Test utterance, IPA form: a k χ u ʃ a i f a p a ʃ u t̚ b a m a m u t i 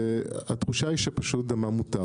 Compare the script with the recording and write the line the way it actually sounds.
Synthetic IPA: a t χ u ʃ a i ʃ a p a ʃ u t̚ d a m a m u t a